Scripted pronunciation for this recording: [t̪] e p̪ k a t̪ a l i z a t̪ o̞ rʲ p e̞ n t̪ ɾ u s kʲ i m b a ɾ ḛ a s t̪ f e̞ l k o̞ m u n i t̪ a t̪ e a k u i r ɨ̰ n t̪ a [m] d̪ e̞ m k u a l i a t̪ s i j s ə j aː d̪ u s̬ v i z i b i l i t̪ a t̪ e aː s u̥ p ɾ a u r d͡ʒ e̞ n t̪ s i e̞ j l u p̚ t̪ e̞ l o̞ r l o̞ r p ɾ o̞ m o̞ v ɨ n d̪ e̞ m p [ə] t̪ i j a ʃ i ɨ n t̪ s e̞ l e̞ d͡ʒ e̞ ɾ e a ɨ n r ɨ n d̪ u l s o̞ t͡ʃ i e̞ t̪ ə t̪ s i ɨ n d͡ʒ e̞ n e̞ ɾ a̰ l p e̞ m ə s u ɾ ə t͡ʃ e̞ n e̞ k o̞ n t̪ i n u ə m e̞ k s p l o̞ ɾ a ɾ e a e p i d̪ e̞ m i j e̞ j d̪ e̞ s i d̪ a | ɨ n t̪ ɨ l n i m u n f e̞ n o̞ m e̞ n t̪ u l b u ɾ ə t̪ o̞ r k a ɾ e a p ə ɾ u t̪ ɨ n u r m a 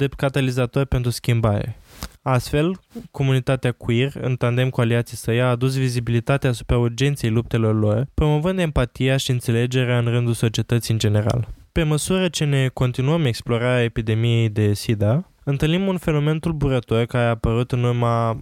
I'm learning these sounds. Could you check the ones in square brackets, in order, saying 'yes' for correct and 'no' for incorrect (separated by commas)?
no, no, no